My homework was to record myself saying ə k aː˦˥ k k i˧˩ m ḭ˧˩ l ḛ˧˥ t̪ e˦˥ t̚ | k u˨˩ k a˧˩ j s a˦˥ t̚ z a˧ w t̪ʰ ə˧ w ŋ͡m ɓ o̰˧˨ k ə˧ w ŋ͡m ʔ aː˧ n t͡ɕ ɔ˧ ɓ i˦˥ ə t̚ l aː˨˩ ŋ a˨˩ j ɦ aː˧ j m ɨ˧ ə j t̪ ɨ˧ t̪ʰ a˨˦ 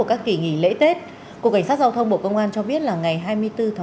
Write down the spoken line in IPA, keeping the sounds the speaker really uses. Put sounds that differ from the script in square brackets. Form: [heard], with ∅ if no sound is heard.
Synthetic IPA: ə k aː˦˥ k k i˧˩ [ŋ] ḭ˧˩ l ḛ˧˥ t̪ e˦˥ t̚ | k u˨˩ k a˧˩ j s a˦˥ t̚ z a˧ w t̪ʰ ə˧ w ŋ͡m ɓ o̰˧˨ k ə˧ w ŋ͡m ʔ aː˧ n t͡ɕ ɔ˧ ɓ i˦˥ ə t̚ l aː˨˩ ŋ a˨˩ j ɦ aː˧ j m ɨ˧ ə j t̪ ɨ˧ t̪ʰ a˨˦